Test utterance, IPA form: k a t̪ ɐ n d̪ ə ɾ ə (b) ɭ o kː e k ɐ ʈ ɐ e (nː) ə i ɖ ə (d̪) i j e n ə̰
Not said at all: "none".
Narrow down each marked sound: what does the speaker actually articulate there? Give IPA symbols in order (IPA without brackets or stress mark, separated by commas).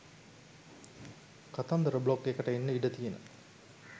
b, nː, t̪